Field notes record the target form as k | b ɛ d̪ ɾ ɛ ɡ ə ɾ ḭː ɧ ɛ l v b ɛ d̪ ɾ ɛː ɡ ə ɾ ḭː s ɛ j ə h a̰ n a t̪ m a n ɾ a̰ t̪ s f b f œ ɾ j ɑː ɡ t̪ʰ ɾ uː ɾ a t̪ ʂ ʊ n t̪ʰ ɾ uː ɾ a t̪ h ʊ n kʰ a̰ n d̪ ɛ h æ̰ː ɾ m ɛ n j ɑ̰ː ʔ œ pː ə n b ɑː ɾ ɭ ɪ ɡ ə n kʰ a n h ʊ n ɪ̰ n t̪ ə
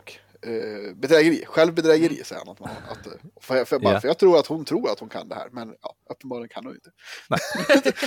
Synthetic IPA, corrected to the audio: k | b ɛ d̪ ɾ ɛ ɡ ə ɾ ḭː ɧ ɛ l v b ɛ d̪ ɾ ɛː ɡ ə ɾ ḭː s ɛ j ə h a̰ n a t̪ m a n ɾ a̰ t̪ f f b f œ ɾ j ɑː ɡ t̪ʰ ɾ uː ɾ a t̪ h ʊ n t̪ʰ ɾ uː ɾ a t̪ h ʊ n kʰ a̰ n d̪ ɛ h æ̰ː ɾ m ɛ n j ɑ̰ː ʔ œ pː ə n b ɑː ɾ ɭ ɪ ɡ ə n kʰ a n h ʊ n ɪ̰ n t̪ ə